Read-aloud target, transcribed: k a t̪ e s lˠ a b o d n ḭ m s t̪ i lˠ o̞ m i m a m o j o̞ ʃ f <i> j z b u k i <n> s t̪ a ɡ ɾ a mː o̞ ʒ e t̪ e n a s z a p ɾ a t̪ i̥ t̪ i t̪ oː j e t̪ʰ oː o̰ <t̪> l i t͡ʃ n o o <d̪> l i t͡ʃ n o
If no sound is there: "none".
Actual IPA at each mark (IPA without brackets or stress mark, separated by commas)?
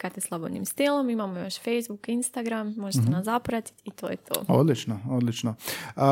e, n, d̪, d̪